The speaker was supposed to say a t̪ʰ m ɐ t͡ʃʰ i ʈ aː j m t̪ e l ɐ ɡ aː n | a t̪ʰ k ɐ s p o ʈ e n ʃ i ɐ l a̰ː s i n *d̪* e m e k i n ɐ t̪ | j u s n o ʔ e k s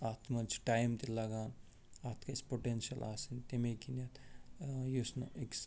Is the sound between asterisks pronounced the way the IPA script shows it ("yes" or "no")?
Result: no